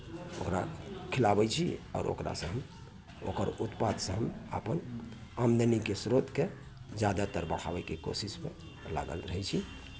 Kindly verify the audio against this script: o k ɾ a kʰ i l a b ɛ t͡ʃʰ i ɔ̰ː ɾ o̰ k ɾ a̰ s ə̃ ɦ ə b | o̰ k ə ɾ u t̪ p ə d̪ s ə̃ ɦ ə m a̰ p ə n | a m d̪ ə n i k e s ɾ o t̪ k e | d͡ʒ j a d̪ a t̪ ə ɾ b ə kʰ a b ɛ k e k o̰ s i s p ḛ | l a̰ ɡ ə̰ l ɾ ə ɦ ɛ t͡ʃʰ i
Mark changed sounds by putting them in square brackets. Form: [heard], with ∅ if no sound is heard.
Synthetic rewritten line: o k ɾ a kʰ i l a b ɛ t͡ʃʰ i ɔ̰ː ɾ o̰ k ɾ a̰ s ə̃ ɦ ə [m] | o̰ k ə ɾ u t̪ p [a] d̪ s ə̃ ɦ ə m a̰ p ə n | a m d̪ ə n i k e s ɾ o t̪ k e | d͡ʒ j a d̪ a t̪ ə ɾ b ə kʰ a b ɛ k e k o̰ s i s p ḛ | l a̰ ɡ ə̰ l ɾ ə ɦ ɛ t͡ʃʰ i